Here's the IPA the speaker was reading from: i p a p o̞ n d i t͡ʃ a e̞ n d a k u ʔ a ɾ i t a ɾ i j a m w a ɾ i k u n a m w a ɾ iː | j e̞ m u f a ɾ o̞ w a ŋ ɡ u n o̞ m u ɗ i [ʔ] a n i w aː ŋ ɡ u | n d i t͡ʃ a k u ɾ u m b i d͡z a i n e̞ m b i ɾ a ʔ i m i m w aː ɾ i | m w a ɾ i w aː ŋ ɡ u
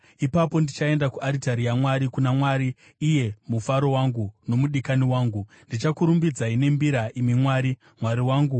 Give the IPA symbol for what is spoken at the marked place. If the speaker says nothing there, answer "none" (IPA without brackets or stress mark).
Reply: k